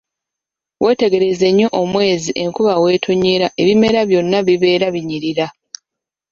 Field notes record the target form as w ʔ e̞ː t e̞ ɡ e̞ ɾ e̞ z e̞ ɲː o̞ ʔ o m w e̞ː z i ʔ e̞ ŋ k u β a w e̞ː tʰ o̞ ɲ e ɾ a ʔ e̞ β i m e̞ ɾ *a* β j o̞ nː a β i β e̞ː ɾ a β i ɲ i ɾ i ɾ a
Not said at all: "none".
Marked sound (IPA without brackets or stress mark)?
a